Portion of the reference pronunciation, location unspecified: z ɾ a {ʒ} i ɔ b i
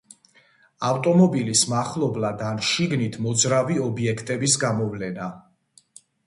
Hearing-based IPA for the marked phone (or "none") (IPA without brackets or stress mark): v